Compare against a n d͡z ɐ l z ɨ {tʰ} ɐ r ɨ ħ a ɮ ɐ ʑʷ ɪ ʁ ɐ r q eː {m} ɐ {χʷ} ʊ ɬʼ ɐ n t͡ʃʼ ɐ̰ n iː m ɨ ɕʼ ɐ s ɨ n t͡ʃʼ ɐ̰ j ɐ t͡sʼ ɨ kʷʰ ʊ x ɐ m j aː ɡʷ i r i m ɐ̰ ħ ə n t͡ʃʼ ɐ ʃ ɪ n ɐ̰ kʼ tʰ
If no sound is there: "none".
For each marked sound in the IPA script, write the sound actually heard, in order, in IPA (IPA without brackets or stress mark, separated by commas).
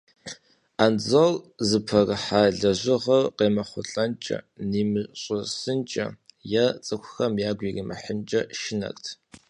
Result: pʰ, m, χʷ